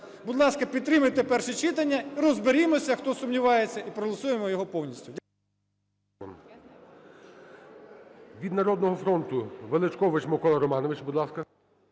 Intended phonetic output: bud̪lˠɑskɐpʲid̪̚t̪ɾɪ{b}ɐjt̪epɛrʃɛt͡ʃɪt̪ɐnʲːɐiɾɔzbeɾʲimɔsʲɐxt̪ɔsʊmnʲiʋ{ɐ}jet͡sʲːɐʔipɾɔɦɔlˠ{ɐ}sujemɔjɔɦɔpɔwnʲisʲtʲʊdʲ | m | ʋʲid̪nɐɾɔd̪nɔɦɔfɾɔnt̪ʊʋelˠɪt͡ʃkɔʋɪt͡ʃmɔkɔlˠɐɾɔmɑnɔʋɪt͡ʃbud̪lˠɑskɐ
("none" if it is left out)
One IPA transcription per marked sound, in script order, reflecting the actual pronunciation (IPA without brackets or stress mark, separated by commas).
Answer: m, ɑ, ɐ